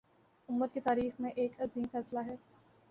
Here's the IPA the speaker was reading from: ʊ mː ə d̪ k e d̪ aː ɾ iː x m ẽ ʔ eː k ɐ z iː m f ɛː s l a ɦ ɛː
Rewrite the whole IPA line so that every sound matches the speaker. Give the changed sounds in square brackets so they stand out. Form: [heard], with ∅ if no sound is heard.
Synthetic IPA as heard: ʊ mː ə [t̪] k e [t̪] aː ɾ iː x m ẽ ʔ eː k ɐ z iː m f ɛː s l a ɦ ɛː

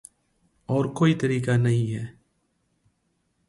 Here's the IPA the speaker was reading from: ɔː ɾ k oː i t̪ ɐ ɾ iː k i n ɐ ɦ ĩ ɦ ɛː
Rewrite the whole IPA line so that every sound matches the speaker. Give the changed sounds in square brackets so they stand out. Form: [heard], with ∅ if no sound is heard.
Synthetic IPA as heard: ɔː ɾ k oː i t̪ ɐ ɾ iː k [a] n ɐ ɦ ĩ ɦ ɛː

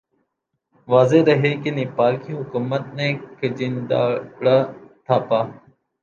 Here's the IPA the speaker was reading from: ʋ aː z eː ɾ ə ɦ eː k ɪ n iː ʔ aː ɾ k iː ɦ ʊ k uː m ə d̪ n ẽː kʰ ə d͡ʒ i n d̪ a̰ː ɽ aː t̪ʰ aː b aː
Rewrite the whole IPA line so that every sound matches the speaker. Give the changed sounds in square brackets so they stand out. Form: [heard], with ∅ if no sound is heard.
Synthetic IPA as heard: ʋ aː z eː ɾ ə ɦ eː k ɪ n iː [p] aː ɾ k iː ɦ ʊ k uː m ə [t̪] n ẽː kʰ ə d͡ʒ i n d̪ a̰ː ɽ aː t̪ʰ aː [p] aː

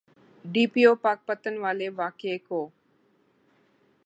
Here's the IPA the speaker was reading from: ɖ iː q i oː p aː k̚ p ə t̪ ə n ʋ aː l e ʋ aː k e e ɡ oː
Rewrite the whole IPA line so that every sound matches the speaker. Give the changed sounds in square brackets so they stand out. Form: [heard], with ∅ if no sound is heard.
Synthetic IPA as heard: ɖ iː [p] i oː p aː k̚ p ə t̪ ə n ʋ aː l e ʋ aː k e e [k] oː

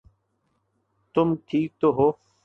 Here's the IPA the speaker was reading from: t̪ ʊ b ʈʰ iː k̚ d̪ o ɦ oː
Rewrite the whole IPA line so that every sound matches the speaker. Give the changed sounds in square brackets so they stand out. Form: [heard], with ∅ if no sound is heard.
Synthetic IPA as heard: t̪ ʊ [m] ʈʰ iː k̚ [t̪] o ɦ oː

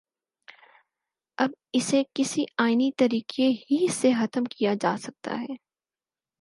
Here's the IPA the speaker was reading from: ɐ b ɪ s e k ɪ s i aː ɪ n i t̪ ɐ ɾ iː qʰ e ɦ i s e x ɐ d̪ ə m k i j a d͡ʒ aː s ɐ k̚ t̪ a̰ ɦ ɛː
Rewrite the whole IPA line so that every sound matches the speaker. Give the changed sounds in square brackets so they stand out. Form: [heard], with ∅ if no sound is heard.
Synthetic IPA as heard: ɐ b ɪ s e k ɪ s i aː ɪ n i t̪ ɐ ɾ iː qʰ e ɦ i s e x ɐ [t̪] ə m k i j a d͡ʒ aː s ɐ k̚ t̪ a̰ ɦ ɛː

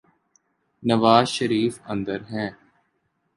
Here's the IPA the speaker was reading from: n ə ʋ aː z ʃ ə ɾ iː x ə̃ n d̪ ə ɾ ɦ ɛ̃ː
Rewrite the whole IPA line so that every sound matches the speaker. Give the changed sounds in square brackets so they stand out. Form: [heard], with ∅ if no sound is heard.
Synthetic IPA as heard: n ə ʋ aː z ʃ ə ɾ iː [f] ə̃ n d̪ ə ɾ ɦ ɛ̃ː

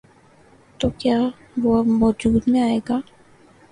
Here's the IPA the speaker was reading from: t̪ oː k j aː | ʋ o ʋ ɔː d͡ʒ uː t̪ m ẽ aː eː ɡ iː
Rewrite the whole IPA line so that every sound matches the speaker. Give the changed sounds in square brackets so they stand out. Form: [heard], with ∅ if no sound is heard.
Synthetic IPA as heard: t̪ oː k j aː | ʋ o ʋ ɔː d͡ʒ uː [d̪] m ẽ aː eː ɡ [aː]

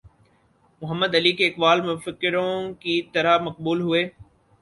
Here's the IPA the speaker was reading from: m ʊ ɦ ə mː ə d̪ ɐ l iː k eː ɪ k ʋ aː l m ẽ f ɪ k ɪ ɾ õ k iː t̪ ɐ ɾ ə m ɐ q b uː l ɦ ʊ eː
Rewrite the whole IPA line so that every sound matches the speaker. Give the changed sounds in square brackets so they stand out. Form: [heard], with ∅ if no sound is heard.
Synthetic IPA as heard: m ʊ ɦ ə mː ə d̪ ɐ l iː k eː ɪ k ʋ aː l m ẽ f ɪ k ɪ ɾ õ k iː t̪ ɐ ɾ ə m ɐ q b uː l ɦ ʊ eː

